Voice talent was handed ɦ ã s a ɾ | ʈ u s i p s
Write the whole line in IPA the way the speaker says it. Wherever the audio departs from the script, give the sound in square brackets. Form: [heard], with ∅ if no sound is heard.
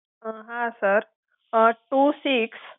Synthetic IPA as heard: ɦ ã s [ə] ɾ | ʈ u s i [k] s